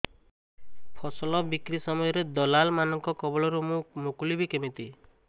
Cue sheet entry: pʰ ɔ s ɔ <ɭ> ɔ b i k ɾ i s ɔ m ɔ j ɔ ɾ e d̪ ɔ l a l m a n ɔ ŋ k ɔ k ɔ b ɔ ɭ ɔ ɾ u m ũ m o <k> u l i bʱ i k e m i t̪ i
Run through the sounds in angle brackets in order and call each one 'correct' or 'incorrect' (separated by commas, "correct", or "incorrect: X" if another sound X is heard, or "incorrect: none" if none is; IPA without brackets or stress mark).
incorrect: l, correct